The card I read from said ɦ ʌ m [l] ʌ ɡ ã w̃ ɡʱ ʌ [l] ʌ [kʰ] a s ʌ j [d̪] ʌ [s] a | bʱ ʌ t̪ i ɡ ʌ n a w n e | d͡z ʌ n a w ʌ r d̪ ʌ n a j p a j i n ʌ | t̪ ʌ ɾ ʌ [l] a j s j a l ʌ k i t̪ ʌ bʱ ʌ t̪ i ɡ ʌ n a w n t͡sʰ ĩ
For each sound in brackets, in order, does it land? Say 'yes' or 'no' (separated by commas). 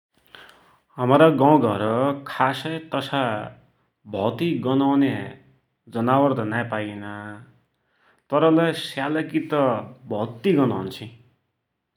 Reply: no, no, yes, no, yes, yes